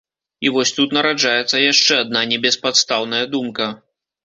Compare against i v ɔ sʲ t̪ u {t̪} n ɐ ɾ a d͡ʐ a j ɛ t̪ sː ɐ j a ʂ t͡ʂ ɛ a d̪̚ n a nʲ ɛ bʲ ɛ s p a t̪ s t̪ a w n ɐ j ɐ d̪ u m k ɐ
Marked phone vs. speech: correct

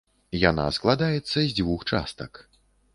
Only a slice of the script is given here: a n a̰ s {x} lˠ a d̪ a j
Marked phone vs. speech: incorrect: k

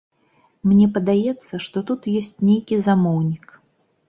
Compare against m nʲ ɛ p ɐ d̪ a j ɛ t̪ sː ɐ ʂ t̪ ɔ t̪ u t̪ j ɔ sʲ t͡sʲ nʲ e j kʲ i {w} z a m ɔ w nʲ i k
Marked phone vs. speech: incorrect: none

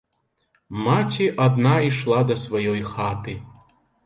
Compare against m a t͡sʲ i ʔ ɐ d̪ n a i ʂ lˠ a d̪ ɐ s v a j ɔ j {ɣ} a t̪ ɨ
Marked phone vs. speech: incorrect: x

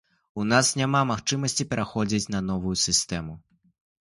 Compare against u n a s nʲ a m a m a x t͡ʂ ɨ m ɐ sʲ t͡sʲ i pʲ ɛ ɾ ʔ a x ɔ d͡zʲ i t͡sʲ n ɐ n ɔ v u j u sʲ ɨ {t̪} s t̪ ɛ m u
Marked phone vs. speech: incorrect: none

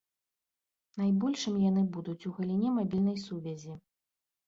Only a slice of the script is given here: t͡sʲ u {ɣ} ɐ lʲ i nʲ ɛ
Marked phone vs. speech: correct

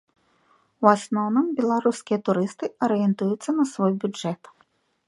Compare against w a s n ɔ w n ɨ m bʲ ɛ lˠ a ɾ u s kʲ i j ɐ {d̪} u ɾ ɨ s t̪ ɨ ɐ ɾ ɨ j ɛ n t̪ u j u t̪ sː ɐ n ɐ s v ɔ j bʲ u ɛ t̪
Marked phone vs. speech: incorrect: t̪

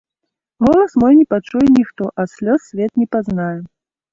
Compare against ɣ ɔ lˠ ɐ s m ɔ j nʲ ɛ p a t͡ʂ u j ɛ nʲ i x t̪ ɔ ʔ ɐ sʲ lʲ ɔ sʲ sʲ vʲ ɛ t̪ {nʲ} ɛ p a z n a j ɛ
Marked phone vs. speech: correct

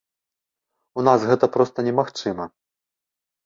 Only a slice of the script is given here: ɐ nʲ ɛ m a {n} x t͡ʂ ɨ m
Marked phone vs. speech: incorrect: none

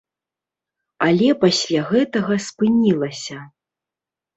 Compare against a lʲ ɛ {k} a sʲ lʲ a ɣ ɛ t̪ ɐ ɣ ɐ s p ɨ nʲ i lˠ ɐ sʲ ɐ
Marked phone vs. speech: incorrect: p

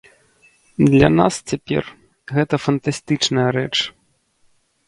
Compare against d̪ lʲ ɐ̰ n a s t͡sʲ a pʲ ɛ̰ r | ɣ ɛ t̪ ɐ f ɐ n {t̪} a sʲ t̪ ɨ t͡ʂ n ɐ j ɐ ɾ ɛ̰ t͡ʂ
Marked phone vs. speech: correct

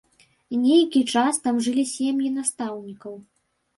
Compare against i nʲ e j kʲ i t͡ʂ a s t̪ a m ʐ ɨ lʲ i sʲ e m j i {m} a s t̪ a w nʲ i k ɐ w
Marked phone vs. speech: incorrect: n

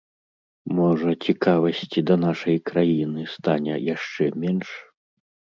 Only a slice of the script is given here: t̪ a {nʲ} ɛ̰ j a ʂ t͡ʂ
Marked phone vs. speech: correct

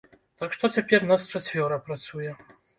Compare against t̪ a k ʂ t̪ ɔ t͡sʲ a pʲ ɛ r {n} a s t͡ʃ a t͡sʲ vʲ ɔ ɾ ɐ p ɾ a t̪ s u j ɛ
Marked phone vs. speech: correct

